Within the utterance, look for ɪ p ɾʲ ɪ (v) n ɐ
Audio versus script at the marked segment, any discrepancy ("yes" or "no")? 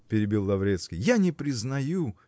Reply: yes